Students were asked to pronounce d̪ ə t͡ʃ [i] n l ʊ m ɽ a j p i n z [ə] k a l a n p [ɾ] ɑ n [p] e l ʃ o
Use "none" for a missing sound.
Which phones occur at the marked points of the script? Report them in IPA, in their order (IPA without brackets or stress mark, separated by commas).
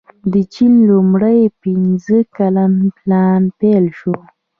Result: i, ə, l, p